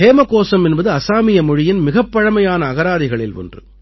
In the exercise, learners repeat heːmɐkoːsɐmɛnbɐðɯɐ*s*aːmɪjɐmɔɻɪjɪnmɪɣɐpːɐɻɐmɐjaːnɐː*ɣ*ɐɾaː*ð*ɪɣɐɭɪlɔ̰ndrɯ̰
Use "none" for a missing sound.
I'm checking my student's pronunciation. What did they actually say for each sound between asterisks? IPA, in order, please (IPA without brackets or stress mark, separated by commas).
s, ɣ, ð